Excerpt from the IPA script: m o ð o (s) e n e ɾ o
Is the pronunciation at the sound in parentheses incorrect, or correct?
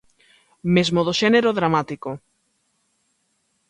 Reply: incorrect